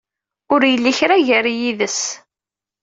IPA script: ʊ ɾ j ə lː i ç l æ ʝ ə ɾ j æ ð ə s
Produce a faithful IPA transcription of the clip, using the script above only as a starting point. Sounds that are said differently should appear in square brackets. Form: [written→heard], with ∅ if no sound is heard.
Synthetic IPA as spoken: ʊ ɾ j ə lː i ç [l→ɾ] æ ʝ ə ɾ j [æ→i] ð ə s